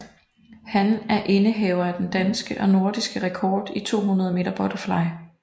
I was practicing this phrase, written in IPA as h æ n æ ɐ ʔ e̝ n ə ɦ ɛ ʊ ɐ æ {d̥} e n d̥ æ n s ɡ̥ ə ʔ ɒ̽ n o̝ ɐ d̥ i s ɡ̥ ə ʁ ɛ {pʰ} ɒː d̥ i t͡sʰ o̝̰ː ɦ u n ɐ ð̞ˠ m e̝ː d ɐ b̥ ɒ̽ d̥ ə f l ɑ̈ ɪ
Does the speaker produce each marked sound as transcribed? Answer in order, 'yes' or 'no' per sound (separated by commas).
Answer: yes, no